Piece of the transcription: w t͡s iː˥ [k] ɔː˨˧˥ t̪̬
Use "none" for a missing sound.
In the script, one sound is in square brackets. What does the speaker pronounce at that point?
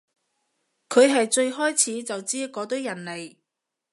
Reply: k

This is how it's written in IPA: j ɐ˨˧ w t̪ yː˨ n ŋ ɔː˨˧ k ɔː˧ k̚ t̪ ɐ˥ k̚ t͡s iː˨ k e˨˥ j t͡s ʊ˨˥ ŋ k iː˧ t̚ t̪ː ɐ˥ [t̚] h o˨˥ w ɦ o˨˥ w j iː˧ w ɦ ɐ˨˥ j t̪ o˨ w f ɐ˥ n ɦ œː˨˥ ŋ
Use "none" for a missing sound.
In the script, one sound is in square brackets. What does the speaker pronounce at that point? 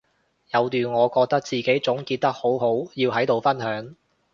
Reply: k̚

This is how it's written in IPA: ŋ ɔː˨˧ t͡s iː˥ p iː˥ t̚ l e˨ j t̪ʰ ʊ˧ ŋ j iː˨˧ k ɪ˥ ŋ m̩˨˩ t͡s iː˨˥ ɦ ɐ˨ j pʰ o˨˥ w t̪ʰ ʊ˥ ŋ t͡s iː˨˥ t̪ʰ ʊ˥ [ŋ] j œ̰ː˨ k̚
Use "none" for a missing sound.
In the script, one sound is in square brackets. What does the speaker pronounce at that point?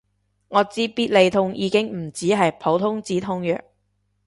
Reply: ŋ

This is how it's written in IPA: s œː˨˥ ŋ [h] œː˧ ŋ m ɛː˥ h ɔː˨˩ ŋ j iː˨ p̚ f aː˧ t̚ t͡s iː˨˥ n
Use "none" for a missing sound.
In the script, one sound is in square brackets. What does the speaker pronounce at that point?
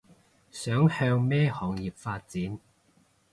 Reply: h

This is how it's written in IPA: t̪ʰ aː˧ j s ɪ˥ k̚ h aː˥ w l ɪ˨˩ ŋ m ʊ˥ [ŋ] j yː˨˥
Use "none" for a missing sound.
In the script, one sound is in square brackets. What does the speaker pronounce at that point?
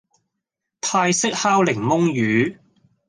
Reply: ŋ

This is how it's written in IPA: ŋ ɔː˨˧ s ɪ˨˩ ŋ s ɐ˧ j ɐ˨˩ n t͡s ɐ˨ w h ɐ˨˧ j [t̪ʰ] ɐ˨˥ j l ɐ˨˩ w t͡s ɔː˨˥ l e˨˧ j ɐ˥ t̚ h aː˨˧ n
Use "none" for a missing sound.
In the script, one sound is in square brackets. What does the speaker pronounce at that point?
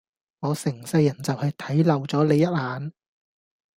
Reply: t̪ʰ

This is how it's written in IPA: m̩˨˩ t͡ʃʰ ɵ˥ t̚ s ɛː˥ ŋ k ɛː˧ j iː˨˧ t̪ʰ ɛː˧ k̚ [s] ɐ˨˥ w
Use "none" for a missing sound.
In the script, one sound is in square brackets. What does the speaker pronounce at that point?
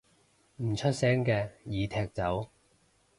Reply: t͡s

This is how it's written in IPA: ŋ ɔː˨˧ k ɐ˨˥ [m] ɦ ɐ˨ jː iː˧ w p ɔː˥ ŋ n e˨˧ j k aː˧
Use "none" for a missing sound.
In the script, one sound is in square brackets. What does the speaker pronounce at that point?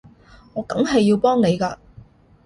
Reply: m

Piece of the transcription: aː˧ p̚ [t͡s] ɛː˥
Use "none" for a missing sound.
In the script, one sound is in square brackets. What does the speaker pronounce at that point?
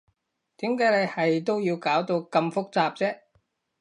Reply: t͡s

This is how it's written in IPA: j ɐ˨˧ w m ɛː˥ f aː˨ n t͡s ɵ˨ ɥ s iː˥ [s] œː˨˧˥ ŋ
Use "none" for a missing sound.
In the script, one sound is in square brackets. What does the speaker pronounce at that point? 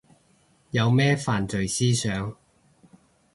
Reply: s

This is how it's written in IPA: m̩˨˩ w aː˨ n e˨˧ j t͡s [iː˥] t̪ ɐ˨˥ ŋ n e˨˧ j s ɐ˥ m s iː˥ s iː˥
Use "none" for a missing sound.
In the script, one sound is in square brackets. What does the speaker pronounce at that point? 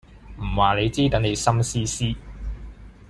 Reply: iː˥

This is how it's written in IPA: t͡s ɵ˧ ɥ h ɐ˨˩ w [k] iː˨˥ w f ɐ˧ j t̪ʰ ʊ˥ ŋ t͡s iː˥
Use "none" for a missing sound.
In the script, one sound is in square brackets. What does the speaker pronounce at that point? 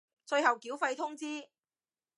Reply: k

